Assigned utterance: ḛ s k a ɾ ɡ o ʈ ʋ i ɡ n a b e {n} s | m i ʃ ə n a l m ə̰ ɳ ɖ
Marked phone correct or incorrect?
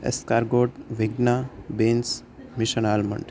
correct